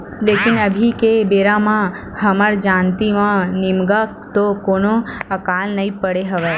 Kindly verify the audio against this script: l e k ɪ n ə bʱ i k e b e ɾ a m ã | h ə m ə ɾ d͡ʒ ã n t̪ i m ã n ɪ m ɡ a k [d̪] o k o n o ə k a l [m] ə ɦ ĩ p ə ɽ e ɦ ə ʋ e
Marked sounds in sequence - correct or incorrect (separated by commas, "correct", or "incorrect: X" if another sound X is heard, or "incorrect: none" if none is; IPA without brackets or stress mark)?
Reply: incorrect: t̪, incorrect: n